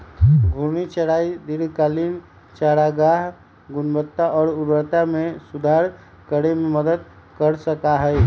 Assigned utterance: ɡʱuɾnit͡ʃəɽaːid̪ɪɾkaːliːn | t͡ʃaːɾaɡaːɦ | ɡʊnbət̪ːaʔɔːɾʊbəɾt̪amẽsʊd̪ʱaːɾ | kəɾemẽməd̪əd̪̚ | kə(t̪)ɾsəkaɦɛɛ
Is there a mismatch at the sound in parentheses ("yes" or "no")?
yes